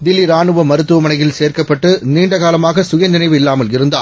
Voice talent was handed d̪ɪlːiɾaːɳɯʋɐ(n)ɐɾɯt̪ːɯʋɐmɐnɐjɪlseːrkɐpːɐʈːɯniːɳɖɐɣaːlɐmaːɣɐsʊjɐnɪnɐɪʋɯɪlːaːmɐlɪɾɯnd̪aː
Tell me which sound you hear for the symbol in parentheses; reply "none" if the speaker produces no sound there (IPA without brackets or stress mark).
m